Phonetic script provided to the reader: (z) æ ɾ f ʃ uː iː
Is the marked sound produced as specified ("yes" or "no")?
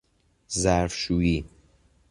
yes